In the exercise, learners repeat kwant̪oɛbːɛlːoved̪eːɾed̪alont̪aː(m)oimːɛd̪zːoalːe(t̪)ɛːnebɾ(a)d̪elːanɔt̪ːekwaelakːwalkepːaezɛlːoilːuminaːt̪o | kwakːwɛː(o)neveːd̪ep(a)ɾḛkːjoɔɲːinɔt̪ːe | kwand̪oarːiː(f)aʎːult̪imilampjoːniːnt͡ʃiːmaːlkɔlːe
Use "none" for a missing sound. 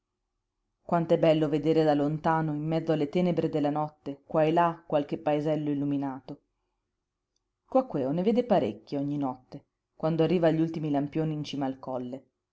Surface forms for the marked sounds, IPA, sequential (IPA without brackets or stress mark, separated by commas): n, t̪, e, o, a, v